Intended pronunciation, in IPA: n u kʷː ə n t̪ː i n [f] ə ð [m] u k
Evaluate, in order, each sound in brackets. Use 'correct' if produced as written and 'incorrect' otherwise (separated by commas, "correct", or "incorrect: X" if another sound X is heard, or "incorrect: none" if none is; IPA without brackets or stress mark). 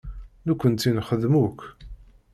incorrect: χ, correct